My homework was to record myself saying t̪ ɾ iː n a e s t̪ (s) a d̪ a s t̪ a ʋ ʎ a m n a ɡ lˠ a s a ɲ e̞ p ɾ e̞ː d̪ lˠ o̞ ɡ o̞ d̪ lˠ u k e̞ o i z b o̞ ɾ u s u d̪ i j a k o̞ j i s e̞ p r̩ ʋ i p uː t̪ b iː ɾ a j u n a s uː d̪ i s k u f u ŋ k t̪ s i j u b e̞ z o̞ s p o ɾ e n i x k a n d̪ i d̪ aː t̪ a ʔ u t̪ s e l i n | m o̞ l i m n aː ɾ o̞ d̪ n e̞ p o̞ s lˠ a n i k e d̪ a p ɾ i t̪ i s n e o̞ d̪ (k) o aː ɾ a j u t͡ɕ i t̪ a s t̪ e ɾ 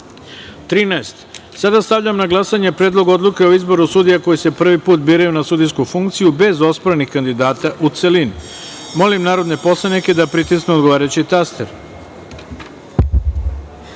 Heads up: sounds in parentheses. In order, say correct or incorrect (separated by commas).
correct, incorrect